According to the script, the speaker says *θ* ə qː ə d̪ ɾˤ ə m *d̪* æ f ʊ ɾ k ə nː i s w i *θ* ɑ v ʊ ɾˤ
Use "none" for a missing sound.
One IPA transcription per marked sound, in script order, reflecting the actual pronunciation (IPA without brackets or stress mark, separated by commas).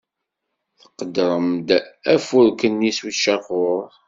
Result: θ, d̪, ʃ